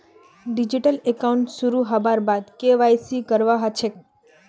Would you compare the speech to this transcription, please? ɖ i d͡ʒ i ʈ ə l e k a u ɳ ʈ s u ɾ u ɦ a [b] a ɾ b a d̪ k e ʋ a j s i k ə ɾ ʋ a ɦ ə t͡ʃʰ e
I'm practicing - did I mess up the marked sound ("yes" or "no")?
no